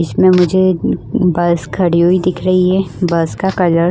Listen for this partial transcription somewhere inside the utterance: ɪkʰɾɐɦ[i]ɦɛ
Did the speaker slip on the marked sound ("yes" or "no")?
no